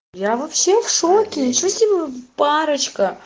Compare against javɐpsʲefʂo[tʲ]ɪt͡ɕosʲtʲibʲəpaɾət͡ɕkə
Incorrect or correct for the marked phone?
incorrect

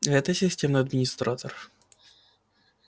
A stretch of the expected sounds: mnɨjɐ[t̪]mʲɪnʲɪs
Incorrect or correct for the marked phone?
incorrect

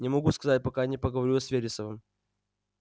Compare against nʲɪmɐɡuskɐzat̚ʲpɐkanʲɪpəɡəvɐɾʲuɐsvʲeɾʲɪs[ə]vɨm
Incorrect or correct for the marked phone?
correct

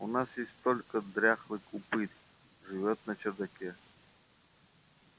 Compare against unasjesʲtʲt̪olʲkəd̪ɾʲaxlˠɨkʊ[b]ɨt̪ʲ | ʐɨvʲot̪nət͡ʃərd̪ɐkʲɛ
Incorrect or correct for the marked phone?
incorrect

